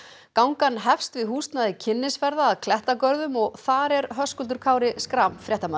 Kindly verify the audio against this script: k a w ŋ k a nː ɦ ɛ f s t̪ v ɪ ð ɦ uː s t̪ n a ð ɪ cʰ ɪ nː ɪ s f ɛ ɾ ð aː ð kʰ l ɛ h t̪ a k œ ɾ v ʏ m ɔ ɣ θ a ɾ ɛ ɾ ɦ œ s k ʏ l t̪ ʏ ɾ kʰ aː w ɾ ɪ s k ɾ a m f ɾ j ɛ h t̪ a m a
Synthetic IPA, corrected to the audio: k a w ŋ k a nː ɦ ɛ f s t̪ v ɪ ð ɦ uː s t̪ n a ð ɪ cʰ ɪ nː ɪ s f ɛ ɾ ð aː ð kʰ l ɛ h t̪ a k œ ɾ ð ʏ m ɔ ɣ θ a ɾ ɛ ɾ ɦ œ s k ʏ l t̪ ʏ ɾ kʰ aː w ɾ ɪ s k ɾ a m f ɾ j ɛ h t̪ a m a